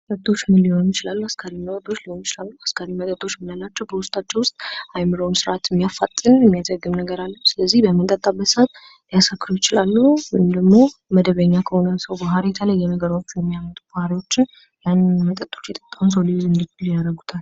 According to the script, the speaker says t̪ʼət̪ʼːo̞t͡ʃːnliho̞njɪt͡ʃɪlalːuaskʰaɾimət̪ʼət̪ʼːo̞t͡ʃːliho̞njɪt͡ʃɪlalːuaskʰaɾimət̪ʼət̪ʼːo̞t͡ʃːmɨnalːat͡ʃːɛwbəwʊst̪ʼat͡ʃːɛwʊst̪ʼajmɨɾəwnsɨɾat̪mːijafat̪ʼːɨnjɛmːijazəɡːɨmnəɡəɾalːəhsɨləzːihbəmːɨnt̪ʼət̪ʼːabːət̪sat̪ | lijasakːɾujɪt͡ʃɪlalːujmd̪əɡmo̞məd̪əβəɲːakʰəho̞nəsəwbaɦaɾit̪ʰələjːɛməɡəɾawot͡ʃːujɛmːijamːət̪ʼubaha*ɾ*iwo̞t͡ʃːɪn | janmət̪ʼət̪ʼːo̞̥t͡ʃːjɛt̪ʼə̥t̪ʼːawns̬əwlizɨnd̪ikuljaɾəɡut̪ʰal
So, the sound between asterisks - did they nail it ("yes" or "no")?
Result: yes